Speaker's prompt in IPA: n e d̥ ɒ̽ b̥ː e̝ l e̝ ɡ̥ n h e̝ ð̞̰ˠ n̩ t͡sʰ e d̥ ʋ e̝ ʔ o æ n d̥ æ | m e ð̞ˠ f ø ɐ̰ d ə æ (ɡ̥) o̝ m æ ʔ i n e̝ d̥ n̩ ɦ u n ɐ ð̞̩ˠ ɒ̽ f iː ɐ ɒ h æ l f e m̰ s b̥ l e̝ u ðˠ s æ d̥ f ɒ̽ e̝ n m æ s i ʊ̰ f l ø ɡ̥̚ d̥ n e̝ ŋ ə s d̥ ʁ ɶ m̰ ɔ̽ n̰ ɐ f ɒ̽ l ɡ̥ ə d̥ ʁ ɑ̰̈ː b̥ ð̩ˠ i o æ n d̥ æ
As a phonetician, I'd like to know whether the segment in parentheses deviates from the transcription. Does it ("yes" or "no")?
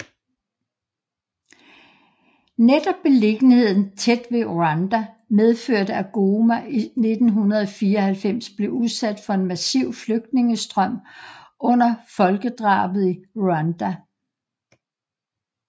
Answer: no